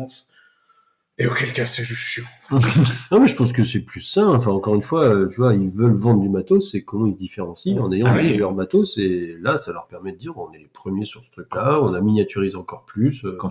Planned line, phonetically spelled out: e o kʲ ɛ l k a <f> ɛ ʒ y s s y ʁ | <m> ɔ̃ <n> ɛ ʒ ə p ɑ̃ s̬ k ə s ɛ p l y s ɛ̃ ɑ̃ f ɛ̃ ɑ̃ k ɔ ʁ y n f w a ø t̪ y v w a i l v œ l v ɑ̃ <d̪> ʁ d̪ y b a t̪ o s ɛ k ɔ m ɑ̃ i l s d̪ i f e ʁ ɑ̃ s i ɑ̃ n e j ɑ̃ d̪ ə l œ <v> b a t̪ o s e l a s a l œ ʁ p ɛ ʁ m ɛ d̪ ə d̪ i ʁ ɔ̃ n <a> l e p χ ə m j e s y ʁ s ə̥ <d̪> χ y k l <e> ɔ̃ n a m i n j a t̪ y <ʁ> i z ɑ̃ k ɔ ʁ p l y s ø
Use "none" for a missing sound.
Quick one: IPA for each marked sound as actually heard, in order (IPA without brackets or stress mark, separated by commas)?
s, n, m, d̪, ʁ, ɛ, t̪, a, ʁ